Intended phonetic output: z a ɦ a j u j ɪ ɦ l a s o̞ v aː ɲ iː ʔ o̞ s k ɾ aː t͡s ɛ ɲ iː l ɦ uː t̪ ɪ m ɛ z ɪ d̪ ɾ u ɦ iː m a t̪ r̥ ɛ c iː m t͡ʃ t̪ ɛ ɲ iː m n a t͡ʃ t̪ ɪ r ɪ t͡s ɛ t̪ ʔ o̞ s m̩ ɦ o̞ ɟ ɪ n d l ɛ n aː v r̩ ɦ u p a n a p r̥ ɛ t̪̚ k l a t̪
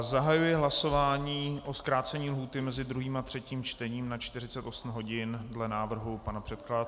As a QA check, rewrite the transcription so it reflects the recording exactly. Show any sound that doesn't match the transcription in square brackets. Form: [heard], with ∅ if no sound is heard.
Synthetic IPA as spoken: z a ɦ a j u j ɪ ɦ l a s o̞ v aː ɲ iː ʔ o̞ s k ɾ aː t͡s ɛ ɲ iː l ɦ uː t̪ ɪ m ɛ z ɪ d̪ ɾ u ɦ iː m a t̪ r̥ ɛ c iː m t͡ʃ t̪ ɛ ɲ iː m n a t͡ʃ t̪ ɪ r ɪ t͡s ɛ t̪ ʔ o̞ s m̩ ɦ o̞ ɟ ɪ n d l ɛ n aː v r̩ ɦ u p a n a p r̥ ɛ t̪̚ k l a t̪